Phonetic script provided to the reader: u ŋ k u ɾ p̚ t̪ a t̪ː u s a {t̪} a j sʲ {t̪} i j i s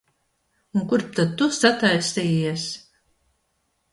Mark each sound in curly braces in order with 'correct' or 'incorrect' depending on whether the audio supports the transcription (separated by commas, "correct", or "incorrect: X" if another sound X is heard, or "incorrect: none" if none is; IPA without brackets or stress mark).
correct, correct